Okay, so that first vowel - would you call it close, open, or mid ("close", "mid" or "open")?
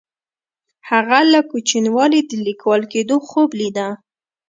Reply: open